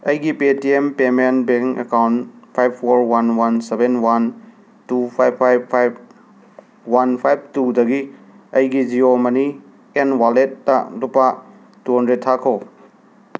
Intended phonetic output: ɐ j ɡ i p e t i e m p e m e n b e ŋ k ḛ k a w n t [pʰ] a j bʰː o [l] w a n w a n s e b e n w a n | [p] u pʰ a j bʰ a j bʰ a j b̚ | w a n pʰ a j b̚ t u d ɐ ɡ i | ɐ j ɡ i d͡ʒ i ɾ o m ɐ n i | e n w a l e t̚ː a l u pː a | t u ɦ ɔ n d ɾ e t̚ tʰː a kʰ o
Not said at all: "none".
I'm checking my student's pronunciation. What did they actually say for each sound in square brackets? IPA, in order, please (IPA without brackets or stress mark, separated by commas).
pʰ, ɾ, t